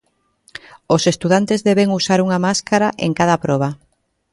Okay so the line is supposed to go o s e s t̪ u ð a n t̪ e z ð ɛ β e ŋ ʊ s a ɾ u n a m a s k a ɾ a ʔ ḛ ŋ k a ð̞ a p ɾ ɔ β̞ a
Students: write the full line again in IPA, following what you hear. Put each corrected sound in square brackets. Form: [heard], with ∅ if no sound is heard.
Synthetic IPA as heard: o s e s t̪ u ð a n t̪ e z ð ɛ β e ŋ [u] s a ɾ u [ŋ] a m a s k a ɾ a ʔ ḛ ŋ k a ð̞ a p ɾ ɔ β̞ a